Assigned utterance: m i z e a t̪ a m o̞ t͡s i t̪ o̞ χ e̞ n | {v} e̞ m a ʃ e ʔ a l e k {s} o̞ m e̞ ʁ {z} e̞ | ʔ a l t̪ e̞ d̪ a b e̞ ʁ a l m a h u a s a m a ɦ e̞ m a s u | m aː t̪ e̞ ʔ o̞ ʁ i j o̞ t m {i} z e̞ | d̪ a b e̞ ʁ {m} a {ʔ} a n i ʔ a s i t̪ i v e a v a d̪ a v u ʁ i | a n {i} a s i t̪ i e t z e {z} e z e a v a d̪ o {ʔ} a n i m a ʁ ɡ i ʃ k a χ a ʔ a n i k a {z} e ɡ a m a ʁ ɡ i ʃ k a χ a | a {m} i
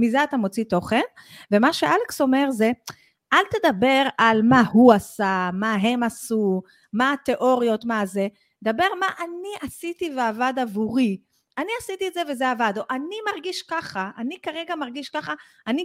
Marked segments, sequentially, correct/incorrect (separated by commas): correct, correct, correct, incorrect, correct, correct, correct, incorrect, correct, incorrect, incorrect